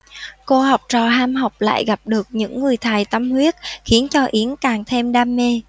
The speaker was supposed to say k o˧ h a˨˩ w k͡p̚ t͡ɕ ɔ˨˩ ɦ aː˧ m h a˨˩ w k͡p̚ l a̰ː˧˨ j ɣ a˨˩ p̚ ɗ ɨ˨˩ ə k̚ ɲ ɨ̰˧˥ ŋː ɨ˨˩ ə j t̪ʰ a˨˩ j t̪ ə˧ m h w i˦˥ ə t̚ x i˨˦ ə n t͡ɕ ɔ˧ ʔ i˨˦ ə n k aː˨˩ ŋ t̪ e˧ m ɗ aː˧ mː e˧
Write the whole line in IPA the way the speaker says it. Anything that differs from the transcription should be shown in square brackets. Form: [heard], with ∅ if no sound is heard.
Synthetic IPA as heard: k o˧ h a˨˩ w k͡p̚ t͡ɕ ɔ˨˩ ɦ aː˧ m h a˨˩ w k͡p̚ l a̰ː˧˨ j ɣ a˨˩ p̚ ɗ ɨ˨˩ ə k̚ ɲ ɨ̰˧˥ ŋː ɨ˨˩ ə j t̪ʰ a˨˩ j t̪ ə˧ m h w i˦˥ ə t̚ x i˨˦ ə n t͡ɕ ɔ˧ ʔ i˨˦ ə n k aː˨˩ ŋ [t̪ʰ] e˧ m ɗ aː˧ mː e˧